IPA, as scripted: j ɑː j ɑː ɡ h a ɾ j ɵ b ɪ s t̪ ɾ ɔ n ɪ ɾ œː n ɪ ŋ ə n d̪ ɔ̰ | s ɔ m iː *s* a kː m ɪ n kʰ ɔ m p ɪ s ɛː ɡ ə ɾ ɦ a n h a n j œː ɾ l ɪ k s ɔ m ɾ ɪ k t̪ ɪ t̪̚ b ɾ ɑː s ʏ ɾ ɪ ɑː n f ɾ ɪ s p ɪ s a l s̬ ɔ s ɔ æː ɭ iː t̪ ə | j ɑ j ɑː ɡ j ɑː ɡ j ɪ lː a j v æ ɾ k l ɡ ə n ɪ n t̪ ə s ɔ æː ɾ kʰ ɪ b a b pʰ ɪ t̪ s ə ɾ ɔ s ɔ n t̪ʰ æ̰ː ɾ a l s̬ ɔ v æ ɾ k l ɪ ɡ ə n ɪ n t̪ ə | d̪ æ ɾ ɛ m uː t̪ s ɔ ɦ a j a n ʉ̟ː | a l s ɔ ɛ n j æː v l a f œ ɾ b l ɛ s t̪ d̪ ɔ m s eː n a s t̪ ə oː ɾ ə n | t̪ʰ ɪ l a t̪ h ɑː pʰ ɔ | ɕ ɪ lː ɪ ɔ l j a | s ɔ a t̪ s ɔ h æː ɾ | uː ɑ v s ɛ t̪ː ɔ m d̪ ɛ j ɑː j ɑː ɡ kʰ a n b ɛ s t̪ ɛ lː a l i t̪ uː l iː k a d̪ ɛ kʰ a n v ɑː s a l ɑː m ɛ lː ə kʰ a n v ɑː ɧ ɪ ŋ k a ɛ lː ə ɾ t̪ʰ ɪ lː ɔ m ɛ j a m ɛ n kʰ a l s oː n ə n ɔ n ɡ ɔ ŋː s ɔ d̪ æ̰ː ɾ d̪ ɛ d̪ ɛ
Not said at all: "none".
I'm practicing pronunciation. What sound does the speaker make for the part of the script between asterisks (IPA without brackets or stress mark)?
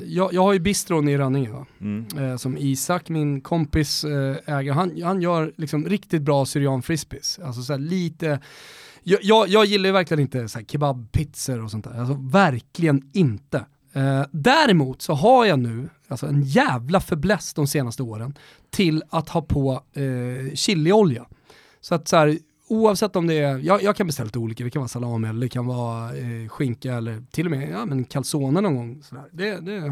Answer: s